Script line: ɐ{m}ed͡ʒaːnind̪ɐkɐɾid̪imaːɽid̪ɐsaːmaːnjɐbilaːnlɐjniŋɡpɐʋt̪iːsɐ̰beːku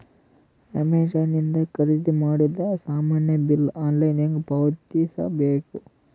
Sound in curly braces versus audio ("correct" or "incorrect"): correct